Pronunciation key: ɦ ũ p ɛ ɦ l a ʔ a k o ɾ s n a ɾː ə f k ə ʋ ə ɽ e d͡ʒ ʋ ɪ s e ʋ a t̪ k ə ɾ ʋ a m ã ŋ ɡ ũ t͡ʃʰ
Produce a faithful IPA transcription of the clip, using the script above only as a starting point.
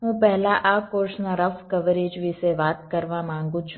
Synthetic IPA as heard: ɦ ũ p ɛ ɦ l a ʔ a k o ɾ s n a ɾ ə f k ə ʋ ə ɾ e d͡ʒ ʋ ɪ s e ʋ a t̪ k ə ɾ ʋ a m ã ŋ ɡ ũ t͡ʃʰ